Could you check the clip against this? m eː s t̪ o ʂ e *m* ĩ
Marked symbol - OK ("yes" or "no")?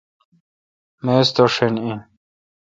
no